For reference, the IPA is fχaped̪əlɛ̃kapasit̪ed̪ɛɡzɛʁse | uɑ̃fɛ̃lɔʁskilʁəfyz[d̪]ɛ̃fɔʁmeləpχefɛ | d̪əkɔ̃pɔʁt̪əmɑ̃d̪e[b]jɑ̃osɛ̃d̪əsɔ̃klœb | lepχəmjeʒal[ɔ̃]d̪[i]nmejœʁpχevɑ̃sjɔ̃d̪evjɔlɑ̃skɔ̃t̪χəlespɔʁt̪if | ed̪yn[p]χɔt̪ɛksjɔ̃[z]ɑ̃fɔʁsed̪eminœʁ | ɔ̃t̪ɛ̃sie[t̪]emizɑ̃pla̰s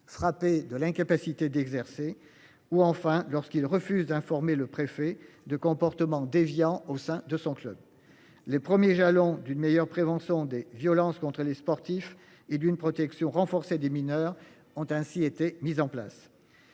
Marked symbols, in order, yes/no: yes, no, yes, no, yes, no, yes

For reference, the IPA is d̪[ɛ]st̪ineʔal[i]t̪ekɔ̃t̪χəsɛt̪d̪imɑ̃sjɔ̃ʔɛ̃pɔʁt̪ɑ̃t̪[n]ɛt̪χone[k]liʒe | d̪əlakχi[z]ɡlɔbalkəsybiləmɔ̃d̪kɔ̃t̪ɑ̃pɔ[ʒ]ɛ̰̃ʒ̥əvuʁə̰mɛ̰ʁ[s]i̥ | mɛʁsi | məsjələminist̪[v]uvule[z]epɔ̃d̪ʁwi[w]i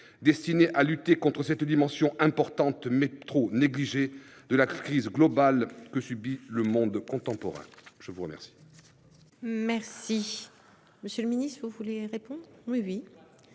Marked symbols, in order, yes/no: yes, no, no, no, yes, no, yes, yes, no, yes

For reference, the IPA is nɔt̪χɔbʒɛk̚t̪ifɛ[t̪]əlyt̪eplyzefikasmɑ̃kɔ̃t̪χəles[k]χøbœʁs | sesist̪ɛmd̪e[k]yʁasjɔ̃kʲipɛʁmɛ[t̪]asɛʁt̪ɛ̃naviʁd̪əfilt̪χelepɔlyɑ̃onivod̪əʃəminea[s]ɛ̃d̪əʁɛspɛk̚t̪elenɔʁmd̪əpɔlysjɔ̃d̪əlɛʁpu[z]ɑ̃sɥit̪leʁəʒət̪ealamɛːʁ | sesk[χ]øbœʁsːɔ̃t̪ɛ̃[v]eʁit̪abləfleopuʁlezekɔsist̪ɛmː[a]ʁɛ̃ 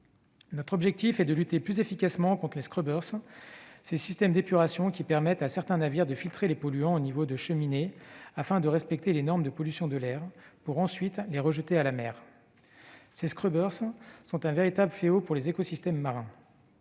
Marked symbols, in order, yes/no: no, yes, no, yes, no, no, yes, yes, yes

